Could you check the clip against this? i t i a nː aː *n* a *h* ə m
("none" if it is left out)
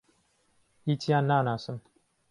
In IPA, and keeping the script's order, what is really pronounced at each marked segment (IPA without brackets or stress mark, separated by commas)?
n, s